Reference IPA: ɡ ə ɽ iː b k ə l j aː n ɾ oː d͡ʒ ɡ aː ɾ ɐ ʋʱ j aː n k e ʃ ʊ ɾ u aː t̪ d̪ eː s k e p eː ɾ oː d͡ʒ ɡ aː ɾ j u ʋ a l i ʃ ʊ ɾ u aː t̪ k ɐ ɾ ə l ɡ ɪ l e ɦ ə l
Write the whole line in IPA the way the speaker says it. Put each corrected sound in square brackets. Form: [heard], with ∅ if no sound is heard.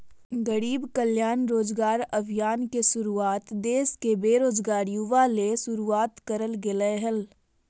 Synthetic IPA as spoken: ɡ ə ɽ iː b k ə l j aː n ɾ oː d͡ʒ ɡ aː ɾ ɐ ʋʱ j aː n k e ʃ ʊ ɾ u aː t̪ d̪ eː s k e [b] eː ɾ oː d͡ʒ ɡ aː ɾ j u ʋ a l [e] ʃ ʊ ɾ u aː t̪ k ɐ ɾ ə l ɡ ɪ l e ɦ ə l